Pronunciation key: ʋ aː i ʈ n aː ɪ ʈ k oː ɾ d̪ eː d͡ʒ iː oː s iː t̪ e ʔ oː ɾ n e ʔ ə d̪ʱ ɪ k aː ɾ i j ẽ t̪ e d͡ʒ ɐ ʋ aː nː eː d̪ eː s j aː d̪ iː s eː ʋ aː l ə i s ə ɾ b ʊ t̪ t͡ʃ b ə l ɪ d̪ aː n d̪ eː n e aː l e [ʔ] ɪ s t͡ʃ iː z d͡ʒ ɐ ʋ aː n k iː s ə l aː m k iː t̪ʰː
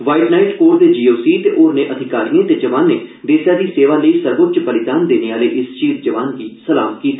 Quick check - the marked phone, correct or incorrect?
correct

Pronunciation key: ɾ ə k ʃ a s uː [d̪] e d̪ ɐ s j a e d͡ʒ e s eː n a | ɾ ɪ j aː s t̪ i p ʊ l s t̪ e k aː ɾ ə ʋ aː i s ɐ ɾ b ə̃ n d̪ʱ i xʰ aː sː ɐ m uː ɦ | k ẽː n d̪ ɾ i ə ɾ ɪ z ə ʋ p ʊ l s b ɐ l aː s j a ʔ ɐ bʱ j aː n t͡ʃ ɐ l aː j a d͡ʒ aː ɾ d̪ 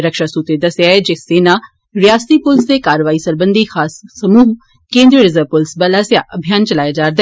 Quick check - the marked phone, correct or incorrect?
incorrect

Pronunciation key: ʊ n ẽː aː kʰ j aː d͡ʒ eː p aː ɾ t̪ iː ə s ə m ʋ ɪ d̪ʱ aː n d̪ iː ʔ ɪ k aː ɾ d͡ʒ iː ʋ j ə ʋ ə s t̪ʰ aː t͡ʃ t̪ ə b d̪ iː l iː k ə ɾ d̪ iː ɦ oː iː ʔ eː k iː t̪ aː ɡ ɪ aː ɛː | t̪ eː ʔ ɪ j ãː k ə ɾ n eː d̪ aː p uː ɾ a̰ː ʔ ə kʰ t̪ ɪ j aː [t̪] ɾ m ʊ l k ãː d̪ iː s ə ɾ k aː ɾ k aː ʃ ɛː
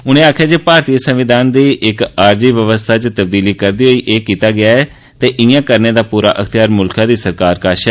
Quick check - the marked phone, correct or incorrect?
incorrect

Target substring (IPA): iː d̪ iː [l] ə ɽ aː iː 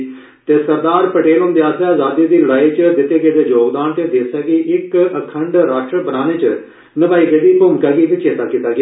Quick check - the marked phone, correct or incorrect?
correct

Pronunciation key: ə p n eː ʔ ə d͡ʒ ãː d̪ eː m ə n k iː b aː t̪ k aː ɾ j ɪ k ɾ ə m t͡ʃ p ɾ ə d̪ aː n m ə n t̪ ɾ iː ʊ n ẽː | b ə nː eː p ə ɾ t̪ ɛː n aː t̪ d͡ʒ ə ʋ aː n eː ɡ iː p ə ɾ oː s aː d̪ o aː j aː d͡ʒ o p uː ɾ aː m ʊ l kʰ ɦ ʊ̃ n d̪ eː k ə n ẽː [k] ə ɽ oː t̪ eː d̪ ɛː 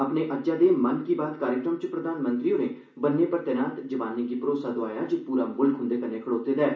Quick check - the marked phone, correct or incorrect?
incorrect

